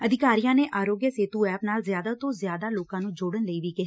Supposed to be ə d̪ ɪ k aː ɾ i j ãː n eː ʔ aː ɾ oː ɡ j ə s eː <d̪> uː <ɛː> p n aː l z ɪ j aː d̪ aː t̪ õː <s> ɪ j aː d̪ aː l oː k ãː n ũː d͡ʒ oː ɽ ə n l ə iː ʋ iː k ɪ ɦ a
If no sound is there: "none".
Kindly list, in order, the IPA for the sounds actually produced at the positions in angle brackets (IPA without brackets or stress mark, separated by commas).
t̪, ɛː, z